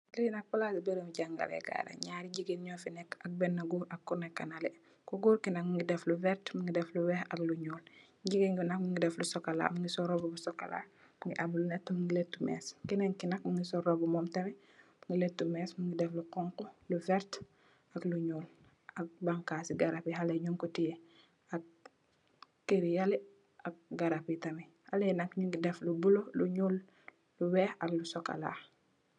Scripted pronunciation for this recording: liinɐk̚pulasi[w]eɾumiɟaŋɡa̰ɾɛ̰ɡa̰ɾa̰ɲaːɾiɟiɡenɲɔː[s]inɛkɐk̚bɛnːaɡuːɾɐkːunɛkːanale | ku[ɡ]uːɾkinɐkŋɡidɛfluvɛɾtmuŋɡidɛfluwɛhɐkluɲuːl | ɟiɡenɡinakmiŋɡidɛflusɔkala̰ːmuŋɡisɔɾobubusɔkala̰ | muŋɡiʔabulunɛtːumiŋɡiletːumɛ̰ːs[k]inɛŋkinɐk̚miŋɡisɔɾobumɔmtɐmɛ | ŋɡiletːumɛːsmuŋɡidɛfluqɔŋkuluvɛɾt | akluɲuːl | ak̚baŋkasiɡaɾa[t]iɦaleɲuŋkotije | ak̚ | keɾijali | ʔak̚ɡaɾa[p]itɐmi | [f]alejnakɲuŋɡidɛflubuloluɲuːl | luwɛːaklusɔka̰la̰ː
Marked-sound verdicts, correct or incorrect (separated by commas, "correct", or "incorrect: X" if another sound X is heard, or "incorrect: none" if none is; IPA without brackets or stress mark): incorrect: b, incorrect: f, correct, correct, incorrect: p, correct, incorrect: h